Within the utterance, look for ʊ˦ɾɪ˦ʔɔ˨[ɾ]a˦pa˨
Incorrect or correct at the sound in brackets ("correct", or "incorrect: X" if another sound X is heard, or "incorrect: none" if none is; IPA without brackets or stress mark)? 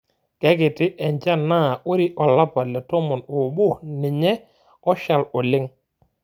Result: incorrect: l